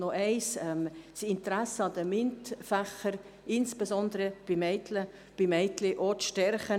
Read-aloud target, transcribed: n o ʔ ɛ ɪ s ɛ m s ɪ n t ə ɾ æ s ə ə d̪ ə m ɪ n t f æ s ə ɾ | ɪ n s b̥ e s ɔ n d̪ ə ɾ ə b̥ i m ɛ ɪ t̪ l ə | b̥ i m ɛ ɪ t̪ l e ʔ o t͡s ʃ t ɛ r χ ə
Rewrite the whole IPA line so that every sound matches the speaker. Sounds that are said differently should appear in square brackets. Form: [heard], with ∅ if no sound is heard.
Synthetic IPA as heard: n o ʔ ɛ ɪ s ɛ m s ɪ n t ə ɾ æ s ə [ɑ] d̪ ə m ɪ n t f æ [χ] ə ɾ | ɪ n s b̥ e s ɔ n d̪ ə ɾ ə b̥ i m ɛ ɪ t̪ l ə | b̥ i m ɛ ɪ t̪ l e ʔ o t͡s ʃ t ɛ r χ ə